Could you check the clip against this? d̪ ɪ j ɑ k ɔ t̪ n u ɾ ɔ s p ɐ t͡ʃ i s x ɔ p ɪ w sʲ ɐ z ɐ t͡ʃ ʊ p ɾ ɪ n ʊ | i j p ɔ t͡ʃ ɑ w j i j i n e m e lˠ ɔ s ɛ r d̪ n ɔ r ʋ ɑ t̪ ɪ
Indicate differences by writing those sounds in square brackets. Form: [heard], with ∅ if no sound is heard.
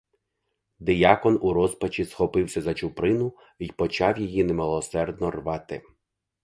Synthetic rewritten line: d̪ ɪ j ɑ k ɔ [∅] n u ɾ ɔ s p ɐ t͡ʃ i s x ɔ p ɪ w sʲ ɐ z ɐ t͡ʃ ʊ p ɾ ɪ n ʊ | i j p ɔ t͡ʃ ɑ w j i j i n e m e lˠ ɔ s ɛ r d̪ n ɔ r ʋ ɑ t̪ ɪ

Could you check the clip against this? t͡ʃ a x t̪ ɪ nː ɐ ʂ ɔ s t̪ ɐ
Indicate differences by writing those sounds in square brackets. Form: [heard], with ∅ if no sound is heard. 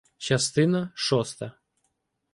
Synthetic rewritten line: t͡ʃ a [s] t̪ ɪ [n] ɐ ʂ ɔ s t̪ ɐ

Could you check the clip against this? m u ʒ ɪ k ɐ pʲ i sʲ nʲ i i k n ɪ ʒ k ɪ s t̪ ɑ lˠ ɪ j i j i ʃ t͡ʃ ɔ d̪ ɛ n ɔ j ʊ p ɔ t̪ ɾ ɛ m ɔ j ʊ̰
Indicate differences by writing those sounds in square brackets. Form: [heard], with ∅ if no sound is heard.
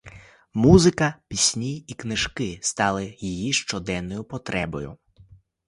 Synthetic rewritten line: m u [z] ɪ k ɐ pʲ i sʲ nʲ i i k n ɪ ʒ k ɪ s t̪ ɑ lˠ ɪ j i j i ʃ t͡ʃ ɔ d̪ ɛ [nː] ɔ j ʊ p ɔ t̪ ɾ ɛ [b] ɔ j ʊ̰

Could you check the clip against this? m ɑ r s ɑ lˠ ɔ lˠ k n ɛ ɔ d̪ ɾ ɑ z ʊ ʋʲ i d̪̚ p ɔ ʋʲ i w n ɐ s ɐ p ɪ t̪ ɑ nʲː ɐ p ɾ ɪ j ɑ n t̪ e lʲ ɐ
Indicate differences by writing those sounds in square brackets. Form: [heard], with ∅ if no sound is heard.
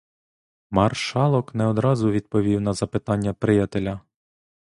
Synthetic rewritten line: m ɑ r [ʃ] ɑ lˠ ɔ [∅] k n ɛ ɔ d̪ ɾ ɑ z ʊ ʋʲ i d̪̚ p ɔ ʋʲ i w n ɐ [z] ɐ p ɪ t̪ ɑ nʲː ɐ p ɾ ɪ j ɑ [∅] t̪ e lʲ ɐ

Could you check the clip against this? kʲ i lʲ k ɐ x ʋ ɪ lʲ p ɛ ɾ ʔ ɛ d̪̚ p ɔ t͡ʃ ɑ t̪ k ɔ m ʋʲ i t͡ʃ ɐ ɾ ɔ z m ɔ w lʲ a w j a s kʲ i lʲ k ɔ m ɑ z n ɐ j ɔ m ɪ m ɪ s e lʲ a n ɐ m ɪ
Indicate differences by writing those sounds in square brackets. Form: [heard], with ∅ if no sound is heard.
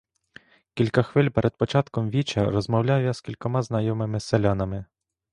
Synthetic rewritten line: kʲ i lʲ k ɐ x ʋ ɪ lʲ p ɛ ɾ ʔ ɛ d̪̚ p ɔ t͡ʃ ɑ t̪ k ɔ m ʋʲ i t͡ʃ ɐ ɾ ɔ z m ɔ w lʲ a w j a s kʲ i lʲ k ɔ m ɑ z n ɐ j ɔ m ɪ m ɪ s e lʲ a n ɐ m ɪ

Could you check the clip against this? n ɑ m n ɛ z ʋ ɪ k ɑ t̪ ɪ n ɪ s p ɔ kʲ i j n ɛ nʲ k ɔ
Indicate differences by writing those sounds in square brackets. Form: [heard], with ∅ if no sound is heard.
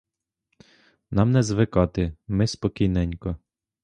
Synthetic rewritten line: n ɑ m n ɛ z ʋ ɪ k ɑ t̪ ɪ [m] ɪ s p ɔ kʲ i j n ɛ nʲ k ɔ

